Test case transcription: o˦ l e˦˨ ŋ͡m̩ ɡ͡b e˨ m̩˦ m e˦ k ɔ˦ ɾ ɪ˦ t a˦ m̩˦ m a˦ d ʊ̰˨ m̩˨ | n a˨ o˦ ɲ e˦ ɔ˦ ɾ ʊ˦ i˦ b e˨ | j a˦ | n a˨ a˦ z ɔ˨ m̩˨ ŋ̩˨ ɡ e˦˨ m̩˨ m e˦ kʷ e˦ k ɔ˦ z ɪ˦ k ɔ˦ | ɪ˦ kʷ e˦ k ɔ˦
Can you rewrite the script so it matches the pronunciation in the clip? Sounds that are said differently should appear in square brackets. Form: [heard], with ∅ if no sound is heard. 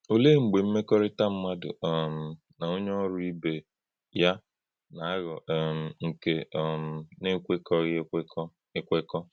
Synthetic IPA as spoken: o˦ l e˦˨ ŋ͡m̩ ɡ͡b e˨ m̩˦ m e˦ k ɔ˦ ɾ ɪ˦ t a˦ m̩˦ m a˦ d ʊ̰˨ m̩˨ | n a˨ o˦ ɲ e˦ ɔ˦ ɾ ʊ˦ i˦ b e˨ | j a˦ | n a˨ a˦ [ɣ] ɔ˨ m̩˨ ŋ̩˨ [k] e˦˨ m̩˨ [n] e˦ kʷ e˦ k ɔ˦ [ɣ] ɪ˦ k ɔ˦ | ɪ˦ kʷ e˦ k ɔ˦